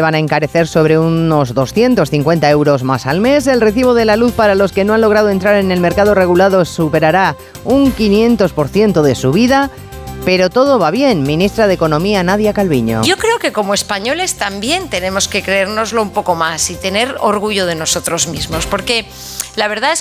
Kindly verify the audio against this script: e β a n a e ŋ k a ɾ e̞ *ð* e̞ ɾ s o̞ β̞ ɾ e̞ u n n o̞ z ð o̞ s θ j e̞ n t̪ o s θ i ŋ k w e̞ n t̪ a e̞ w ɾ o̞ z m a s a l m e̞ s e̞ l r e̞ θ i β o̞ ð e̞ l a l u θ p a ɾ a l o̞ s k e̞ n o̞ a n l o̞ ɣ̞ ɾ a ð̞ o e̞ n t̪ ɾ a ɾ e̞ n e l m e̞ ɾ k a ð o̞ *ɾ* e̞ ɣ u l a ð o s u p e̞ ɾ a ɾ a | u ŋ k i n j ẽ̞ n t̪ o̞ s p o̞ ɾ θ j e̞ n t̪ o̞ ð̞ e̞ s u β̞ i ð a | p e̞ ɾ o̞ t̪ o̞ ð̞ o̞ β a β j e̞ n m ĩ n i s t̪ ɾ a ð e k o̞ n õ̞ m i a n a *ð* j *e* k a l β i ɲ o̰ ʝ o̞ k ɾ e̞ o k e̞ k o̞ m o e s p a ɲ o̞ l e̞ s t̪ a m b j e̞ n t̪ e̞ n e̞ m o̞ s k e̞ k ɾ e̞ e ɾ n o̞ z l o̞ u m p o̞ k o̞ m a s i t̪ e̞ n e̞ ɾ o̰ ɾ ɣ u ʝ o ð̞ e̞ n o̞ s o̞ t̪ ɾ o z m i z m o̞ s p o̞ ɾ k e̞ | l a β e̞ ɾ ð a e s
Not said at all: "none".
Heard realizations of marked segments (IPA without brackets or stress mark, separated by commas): θ, r, ð, a